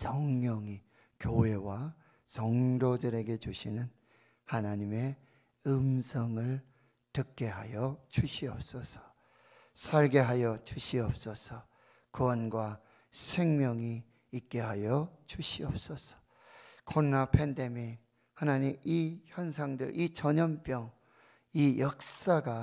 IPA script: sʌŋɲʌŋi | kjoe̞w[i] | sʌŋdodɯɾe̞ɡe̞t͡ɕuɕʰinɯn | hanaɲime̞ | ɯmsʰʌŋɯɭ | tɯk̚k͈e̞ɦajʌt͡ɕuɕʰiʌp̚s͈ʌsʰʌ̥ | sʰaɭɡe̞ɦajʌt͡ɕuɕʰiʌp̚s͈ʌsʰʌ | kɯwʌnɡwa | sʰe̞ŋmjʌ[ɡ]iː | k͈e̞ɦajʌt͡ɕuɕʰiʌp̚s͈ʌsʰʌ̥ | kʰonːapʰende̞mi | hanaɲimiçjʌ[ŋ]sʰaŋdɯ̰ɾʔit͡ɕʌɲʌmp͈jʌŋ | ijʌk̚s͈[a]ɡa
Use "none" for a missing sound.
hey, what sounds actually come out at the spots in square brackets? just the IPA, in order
a, ŋ, n, a

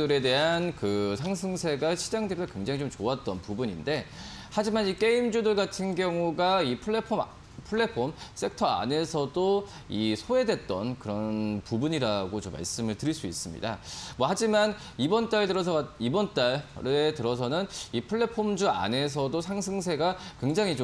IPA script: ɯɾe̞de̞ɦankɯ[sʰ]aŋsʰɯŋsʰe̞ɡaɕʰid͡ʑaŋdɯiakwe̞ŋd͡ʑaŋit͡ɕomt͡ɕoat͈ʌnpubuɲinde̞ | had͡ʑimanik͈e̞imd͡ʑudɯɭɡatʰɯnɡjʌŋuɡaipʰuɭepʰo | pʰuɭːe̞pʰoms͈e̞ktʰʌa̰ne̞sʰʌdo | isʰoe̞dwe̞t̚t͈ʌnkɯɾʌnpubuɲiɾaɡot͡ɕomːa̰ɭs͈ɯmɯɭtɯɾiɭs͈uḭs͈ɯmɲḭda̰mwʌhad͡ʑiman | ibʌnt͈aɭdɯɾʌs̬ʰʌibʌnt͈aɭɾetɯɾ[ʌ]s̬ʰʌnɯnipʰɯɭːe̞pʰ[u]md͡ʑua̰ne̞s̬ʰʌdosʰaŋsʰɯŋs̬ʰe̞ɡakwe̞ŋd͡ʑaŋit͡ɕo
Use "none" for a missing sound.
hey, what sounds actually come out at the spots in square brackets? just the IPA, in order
sʰ, ʌ, o

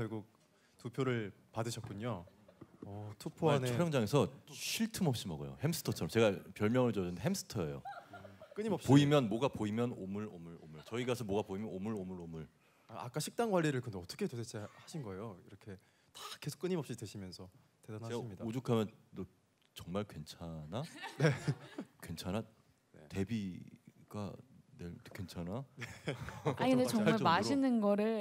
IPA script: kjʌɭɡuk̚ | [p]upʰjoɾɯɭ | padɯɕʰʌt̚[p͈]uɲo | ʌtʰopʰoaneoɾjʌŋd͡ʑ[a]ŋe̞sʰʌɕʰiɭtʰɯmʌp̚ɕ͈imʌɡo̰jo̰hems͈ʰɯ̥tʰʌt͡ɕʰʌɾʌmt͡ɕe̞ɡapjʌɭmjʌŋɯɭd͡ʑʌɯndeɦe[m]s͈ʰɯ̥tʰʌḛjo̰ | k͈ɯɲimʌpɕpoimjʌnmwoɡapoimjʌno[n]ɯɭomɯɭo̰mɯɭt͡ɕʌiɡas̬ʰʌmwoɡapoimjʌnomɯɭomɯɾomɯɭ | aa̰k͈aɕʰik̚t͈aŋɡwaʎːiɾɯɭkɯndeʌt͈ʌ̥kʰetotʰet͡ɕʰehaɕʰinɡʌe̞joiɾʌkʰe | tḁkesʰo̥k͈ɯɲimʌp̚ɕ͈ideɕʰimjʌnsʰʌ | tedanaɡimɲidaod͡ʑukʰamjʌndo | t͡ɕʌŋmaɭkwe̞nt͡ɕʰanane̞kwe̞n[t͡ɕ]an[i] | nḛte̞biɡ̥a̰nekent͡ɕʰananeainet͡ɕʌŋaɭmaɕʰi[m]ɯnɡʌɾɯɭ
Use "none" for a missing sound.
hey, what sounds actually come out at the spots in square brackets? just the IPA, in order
t, k͈, a, m, m, t͡ɕʰ, a, n

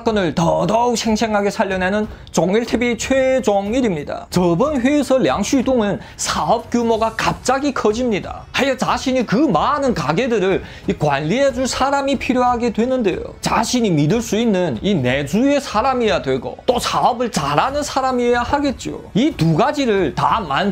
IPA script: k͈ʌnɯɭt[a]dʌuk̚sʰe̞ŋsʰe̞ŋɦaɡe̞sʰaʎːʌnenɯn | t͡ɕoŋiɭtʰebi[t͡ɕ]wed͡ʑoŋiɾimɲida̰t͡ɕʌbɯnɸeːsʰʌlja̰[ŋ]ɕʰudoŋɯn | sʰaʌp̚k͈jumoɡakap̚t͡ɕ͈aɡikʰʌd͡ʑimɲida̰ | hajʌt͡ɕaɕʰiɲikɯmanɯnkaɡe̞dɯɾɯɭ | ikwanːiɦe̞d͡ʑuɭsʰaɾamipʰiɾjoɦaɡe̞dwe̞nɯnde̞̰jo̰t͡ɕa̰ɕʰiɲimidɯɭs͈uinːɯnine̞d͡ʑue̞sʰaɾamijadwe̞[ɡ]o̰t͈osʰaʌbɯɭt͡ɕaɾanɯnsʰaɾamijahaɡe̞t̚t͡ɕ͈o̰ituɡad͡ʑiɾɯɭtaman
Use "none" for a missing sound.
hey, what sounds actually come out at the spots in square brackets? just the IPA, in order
ʌ, t͡ɕʰ, ŋ, ɡ

